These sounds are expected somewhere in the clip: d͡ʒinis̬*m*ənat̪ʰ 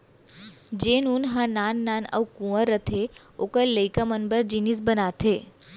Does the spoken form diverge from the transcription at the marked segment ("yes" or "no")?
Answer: yes